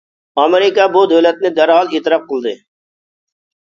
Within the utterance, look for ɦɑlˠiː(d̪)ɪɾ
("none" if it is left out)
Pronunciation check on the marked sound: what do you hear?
t̪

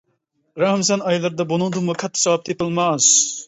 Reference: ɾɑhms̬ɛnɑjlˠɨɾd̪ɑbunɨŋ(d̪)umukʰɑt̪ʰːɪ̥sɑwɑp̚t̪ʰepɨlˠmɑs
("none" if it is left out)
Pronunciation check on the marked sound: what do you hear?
d̪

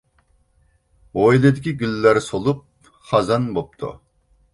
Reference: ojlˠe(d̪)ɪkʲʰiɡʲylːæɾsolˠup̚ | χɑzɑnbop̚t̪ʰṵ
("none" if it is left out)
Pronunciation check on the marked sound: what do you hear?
d̪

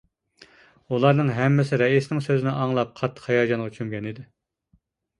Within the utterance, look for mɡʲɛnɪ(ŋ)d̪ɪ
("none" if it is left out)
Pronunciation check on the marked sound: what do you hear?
none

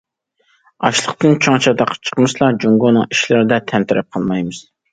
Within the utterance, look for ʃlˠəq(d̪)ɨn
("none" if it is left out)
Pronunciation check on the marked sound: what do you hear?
t̪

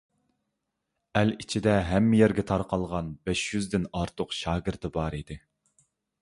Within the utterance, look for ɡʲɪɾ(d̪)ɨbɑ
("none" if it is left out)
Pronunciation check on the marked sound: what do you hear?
t̪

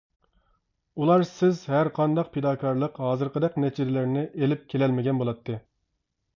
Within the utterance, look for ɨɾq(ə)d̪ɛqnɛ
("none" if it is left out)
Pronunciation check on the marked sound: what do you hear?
ə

